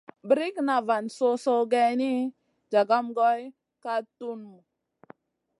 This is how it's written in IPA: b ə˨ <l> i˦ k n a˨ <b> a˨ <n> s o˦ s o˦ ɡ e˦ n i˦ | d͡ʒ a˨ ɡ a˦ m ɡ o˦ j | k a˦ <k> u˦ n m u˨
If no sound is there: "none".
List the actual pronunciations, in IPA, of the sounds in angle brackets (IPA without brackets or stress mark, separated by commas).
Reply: ɾ, v, n, t